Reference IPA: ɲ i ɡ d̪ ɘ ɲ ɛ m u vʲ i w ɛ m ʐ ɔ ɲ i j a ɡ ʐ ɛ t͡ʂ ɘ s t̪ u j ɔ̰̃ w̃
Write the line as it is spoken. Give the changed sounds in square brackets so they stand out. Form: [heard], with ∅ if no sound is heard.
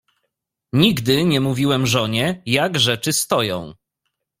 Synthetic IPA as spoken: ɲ i ɡ d̪ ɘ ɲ ɛ m u vʲ i w ɛ m ʐ ɔ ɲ [ɛ] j a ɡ ʐ ɛ t͡ʂ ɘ s t̪ [ɔ] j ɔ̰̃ w̃